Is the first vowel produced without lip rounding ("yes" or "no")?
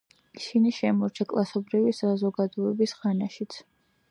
yes